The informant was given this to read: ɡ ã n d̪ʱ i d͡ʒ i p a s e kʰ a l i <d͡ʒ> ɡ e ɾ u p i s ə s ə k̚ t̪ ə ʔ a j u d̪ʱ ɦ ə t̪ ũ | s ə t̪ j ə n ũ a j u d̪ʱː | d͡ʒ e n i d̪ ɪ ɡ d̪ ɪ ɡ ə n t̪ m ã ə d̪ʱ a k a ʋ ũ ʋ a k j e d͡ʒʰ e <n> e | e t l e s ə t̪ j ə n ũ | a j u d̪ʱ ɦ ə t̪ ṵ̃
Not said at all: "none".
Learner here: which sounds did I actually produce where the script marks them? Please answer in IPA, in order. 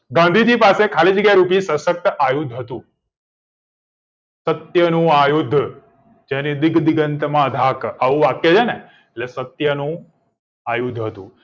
d͡ʒ, n

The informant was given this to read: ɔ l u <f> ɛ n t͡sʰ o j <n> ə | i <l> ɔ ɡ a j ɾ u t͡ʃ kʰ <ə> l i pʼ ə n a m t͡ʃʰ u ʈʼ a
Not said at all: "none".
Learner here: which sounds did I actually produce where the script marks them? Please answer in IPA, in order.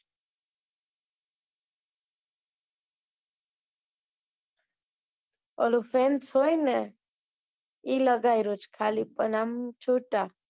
f, n, l, a

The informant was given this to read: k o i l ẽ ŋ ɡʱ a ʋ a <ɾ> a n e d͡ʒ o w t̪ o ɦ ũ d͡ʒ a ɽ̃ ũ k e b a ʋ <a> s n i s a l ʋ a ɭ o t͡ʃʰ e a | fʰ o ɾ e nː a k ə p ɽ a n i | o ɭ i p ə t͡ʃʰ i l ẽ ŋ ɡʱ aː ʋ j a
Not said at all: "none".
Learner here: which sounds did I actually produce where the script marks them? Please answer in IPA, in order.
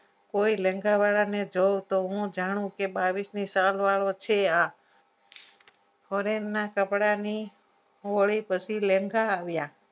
ɭ, i

